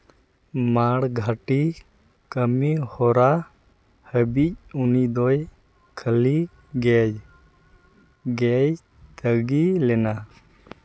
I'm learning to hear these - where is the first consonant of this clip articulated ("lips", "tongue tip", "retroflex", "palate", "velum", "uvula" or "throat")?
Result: lips